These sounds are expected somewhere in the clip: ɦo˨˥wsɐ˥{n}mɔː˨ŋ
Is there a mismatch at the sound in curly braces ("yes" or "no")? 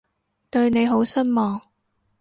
no